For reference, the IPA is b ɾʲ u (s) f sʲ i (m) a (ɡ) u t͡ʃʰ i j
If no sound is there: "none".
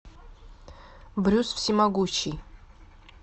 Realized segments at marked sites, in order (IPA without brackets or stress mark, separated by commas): s, m, ɡ